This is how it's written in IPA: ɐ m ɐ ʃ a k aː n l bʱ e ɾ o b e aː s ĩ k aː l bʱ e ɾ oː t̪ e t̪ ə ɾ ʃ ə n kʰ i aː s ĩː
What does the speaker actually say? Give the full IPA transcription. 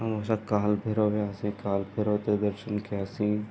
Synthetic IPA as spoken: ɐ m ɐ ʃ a k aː l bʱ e ɾ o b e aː s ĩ k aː l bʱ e ɾ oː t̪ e d̪ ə ɾ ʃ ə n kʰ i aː s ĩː